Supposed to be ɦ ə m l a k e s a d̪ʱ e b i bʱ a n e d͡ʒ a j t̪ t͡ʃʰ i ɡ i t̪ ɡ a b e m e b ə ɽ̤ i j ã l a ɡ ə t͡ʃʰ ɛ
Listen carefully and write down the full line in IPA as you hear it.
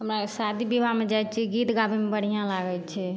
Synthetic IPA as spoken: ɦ ə m ɾ a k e s a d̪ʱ i b i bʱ a m e d͡ʒ a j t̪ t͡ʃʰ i ɡ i t̪ ɡ a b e m e b ə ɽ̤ i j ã l a ɡ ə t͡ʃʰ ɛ